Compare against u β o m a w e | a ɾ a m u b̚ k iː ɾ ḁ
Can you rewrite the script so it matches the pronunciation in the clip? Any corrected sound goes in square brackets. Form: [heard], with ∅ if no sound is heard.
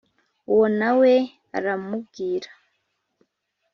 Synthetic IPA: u [w] o [n] a w e | a ɾ a m u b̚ [ɡ] iː ɾ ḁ

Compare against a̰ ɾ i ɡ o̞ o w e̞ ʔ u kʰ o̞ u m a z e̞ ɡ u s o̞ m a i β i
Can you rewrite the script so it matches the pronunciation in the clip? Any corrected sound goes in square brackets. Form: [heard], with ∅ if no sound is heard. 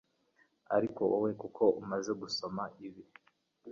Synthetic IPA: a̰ ɾ i [k] o̞ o w e̞ [k] u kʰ o̞ u m a z e̞ ɡ u s o̞ m a i β i

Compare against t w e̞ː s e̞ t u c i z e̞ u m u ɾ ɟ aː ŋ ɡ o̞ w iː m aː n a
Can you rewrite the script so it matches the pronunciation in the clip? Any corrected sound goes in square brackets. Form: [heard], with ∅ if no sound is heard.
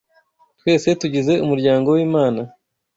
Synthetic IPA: t w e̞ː s e̞ t u [ɟ] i z e̞ u m u ɾ ɟ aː ŋ ɡ o̞ w iː m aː n a

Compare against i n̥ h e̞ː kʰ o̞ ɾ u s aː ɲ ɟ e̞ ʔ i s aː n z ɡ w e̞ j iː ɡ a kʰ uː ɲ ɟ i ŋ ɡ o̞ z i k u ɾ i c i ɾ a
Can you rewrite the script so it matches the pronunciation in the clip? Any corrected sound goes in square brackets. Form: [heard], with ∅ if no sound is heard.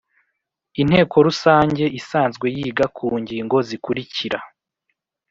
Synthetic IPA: i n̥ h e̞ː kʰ o̞ ɾ u s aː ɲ ɟ e̞ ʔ i s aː n z ɡ w e̞ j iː ɡ a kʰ uː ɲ ɟ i ŋ ɡ o̞ z i k u ɾ i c i ɾ a

